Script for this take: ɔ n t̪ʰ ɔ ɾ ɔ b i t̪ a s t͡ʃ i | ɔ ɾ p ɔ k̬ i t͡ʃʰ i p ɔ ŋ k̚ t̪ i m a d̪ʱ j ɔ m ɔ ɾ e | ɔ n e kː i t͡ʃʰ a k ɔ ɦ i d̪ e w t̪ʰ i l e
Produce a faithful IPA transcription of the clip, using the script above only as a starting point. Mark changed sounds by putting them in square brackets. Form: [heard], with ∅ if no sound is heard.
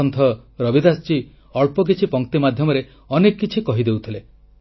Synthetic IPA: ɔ n t̪ʰ ɔ ɾ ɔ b i [d̪] a s t͡ʃ i | ɔ [ɭ] p ɔ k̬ i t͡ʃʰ i p ɔ ŋ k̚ t̪ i m a d̪ʱ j ɔ m ɔ ɾ e | ɔ n e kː i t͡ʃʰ [i] k ɔ ɦ i d̪ e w t̪ʰ i l e